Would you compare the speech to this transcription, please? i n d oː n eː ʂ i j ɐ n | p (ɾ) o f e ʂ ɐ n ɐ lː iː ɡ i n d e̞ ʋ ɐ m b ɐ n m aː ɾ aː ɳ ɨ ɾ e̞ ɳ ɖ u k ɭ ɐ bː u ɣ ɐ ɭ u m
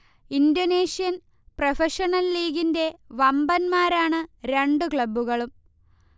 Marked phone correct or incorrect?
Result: incorrect